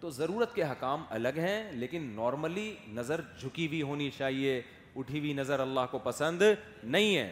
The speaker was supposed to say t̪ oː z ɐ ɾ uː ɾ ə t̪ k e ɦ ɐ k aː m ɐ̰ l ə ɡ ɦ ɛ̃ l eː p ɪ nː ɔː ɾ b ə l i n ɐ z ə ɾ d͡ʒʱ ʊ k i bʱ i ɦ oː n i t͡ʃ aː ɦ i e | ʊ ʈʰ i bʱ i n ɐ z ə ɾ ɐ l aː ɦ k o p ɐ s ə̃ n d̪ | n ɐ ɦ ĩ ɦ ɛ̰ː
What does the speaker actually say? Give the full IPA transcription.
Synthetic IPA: t̪ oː z ɐ ɾ uː ɾ ə t̪ k e ɦ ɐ k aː m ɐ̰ l ə ɡ ɦ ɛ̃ l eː k ɪ nː ɔː ɾ m ə l i n ɐ z ə ɾ d͡ʒʱ ʊ k i bʱ i ɦ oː n i t͡ʃ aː ɦ i e | ʊ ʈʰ i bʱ i n ɐ z ə ɾ ɐ lː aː ɦ k o p ɐ s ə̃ n d̪ | n ɐ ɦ ĩ ɦ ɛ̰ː